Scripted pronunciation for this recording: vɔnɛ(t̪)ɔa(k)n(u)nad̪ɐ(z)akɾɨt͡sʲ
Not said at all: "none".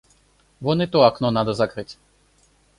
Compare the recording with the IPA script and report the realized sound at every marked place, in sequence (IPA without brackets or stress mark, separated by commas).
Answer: t̪, k, ɔ, z